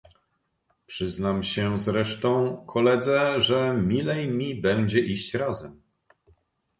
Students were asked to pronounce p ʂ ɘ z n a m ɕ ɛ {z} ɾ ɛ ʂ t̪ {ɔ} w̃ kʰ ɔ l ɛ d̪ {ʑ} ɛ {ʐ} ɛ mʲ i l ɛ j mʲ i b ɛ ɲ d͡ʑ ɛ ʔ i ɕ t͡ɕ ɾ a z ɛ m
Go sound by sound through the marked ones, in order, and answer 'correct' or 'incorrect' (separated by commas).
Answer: correct, incorrect, incorrect, correct